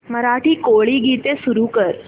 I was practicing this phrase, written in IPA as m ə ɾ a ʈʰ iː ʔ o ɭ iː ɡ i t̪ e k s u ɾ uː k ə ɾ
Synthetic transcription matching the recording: m ə ɾ a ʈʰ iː k o ɭ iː ɡ i t̪ e s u ɾ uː k ə ɾ